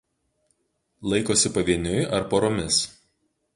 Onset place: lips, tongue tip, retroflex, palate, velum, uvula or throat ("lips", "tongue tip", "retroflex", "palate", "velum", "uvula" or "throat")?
tongue tip